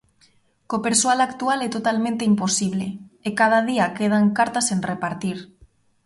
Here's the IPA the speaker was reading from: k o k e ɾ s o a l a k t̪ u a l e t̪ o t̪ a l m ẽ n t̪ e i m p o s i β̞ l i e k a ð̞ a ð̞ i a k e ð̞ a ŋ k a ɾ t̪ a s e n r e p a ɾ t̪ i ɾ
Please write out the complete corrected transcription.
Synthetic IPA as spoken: k o p e ɾ s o a l a k t̪ u a l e t̪ o t̪ a l m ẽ n t̪ e i m p o s i β̞ l e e k a ð̞ a ð̞ i a k e ð̞ a ŋ k a ɾ t̪ a s e n r e p a ɾ t̪ i ɾ

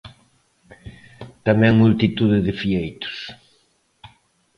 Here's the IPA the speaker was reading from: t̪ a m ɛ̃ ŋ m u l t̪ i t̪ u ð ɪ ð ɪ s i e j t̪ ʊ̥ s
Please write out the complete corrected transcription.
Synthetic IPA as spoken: t̪ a m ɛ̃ ŋ m u l t̪ i t̪ u ð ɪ ð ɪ f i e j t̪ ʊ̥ s

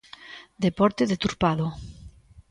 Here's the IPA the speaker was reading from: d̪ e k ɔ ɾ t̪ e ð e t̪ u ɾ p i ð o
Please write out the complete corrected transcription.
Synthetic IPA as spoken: d̪ e p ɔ ɾ t̪ e ð e t̪ u ɾ p a ð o

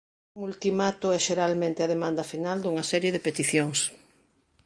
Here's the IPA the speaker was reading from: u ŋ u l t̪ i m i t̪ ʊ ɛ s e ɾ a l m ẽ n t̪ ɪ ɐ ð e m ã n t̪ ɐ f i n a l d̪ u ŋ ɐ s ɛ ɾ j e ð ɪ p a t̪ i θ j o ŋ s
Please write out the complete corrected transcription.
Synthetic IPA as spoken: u ŋ u l t̪ i m a t̪ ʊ ɛ ʃ e ɾ a l m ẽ n t̪ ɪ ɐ ð e m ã n d̪ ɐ f i n a l d̪ u ŋ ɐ s ɛ ɾ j e ð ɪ p e t̪ i θ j o ŋ s

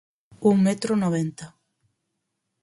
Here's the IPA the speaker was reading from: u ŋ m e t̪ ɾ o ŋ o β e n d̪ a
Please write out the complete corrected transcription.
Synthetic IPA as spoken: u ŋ m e t̪ ɾ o n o β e n t̪ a

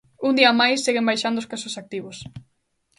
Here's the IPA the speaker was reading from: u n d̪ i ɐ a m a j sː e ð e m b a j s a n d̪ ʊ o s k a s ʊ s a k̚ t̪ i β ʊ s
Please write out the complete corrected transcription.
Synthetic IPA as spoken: u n d̪ i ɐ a m a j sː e ɣ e m b a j ʃ a n d̪ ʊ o s k a s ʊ s a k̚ t̪ i β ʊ s

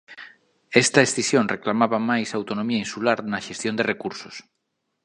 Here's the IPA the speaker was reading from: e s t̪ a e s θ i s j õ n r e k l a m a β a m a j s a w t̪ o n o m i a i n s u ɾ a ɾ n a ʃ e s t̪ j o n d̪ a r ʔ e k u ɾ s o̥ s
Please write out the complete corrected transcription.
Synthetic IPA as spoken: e s t̪ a e s θ i s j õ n r e k l a m a β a m a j s a w t̪ o n o m i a i n s u l a ɾ n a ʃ e s t̪ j o n d̪ e r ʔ e k u ɾ s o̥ s

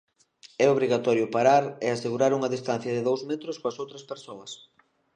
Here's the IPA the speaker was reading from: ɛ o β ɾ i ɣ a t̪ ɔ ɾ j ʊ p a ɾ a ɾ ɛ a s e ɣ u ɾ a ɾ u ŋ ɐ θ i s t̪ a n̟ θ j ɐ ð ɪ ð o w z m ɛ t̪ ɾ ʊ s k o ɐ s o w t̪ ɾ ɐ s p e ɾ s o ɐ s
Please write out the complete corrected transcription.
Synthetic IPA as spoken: ɛ o β ɾ i ɣ a t̪ ɔ ɾ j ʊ p a ɾ a ɾ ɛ a s e ɣ u ɾ a ɾ u ŋ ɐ ð i s t̪ a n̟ θ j ɐ ð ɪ ð o w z m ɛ t̪ ɾ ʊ s k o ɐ s o w t̪ ɾ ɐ s p e ɾ s o ɐ s

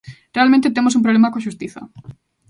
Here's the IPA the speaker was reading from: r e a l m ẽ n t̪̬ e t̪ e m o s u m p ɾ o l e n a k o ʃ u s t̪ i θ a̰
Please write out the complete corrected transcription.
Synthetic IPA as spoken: r e a l m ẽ n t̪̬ e t̪ e m o s u m p ɾ o l e m a k o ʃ u s t̪ i θ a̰

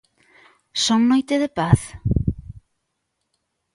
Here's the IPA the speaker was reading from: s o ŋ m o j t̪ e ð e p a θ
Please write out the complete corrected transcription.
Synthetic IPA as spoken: s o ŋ n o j t̪ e ð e p a θ

